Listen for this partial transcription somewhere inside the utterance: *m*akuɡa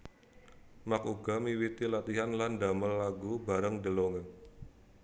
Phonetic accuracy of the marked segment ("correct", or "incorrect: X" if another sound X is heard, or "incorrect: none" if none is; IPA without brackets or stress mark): correct